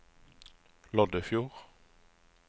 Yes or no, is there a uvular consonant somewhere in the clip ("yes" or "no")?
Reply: yes